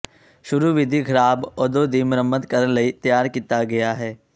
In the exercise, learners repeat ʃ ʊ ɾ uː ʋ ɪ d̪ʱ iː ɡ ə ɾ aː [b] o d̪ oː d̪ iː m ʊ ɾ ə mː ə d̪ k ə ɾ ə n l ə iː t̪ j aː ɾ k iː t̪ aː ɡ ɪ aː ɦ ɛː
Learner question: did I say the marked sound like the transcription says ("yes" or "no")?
yes